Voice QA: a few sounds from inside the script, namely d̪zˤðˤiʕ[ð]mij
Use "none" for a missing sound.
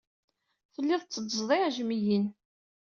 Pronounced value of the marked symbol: ʒ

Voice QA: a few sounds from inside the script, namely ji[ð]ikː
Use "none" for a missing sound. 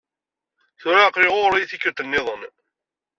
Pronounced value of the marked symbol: θ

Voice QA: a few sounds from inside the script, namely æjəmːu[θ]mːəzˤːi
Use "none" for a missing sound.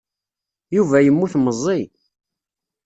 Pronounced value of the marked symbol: θ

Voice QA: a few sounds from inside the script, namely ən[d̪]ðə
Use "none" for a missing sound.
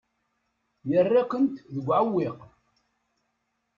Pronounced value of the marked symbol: t̪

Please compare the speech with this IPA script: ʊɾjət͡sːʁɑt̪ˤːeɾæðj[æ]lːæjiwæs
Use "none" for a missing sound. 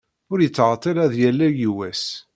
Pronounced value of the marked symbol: æ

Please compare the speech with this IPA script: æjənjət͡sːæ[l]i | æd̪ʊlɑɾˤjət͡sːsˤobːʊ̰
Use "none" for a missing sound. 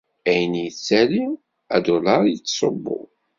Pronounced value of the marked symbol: l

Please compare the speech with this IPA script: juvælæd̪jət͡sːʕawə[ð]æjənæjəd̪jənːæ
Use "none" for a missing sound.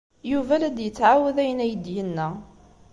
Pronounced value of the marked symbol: ð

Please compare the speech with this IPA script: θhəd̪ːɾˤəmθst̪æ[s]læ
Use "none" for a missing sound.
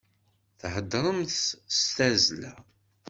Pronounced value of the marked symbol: z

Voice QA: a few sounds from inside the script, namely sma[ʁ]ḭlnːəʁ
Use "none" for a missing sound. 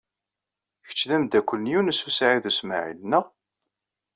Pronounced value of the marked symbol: ʕ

